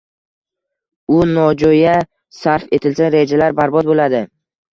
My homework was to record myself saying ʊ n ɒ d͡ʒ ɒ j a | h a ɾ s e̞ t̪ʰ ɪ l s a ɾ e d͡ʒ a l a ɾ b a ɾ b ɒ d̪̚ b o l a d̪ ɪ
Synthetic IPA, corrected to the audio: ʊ n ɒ d͡ʒ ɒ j a | s a ɾ f e̞ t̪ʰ ɪ l s a ɾ e d͡ʒ a l a ɾ b a ɾ b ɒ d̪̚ b o l a d̪ ɪ